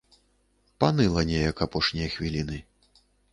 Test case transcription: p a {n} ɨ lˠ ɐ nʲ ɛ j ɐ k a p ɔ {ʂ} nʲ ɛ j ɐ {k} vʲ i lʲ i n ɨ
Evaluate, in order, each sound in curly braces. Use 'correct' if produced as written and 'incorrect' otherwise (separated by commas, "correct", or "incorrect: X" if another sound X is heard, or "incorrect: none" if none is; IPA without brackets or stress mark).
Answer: correct, correct, incorrect: x